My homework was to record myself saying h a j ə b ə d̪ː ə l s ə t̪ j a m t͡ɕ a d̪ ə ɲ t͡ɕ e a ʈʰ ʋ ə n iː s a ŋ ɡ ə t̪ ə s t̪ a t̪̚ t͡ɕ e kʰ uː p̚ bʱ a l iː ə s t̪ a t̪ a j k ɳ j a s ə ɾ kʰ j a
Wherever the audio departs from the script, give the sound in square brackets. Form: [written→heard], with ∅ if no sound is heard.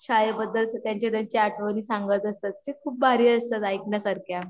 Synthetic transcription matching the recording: [h→ɕ] a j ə b ə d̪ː ə l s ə t̪ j a [m→ɲ] t͡ɕ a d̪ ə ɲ t͡ɕ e a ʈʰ ʋ ə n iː s a ŋ ɡ ə t̪ ə s t̪ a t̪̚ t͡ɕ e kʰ uː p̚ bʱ a [l→ɾ] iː ə s t̪ a t̪ a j k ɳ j a s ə ɾ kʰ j a